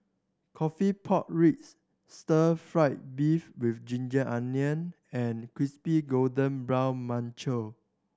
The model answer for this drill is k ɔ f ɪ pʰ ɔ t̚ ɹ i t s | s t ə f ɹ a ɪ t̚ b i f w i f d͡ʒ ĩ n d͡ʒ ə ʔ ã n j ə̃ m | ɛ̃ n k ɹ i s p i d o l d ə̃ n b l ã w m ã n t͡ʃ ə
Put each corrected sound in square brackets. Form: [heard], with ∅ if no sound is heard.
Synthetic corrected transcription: [kʰ] ɔ f [i] pʰ ɔ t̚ ɹ i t s | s t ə f ɹ a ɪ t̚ b i f w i f d͡ʒ ĩ n d͡ʒ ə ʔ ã n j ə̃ [n] | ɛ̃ n k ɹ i s p i [ɡ] o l d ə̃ n b [ɹ] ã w m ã n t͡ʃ ə